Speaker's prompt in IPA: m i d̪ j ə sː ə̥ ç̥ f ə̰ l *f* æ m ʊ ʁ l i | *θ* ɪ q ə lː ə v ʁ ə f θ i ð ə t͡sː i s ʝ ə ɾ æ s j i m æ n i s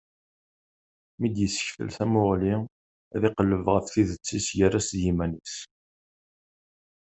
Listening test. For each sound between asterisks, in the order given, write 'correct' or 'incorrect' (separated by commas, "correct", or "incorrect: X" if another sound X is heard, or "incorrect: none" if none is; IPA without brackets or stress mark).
incorrect: θ, incorrect: ð